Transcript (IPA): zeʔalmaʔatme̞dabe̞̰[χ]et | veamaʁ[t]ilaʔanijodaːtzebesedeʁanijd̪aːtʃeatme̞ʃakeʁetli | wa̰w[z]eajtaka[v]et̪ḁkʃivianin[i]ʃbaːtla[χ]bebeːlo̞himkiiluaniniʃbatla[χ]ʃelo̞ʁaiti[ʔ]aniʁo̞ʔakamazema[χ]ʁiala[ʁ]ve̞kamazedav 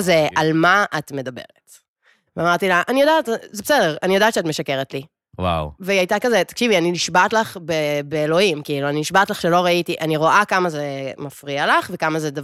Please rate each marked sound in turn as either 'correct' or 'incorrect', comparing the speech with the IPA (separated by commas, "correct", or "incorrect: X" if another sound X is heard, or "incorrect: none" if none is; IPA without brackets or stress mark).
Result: incorrect: ʁ, correct, incorrect: v, incorrect: z, correct, correct, correct, correct, incorrect: f, incorrect: χ